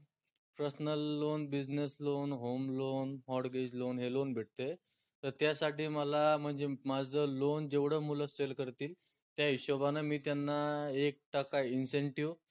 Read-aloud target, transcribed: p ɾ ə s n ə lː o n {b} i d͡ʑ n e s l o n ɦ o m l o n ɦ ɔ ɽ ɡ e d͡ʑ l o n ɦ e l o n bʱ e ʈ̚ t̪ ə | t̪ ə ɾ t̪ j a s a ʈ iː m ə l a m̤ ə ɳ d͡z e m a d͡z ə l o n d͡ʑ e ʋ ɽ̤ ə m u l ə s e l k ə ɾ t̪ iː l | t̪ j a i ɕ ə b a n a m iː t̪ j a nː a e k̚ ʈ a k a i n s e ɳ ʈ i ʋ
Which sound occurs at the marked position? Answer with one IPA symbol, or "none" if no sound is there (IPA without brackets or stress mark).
b